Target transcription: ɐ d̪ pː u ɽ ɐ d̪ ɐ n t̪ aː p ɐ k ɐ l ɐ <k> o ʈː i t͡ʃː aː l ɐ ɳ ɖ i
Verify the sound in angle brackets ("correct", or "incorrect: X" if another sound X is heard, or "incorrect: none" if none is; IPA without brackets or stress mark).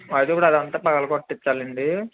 correct